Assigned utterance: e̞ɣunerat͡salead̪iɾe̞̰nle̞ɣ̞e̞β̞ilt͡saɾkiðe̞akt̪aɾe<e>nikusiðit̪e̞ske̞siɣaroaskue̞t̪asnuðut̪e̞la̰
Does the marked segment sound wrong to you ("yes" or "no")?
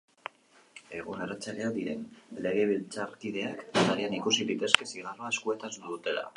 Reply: yes